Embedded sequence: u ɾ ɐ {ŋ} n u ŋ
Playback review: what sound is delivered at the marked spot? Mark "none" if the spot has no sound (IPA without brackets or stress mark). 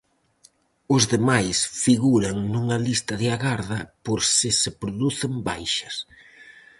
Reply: ŋ